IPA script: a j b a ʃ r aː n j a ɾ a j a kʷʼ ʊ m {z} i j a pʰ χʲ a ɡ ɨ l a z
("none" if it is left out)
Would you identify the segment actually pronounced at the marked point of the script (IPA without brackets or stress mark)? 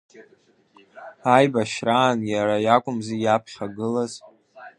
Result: z